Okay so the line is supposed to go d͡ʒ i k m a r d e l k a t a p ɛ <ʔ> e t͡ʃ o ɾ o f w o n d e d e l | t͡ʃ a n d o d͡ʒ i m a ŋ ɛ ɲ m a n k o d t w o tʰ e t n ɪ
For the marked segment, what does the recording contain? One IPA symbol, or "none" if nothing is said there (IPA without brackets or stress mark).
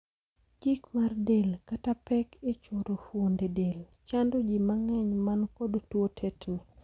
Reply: k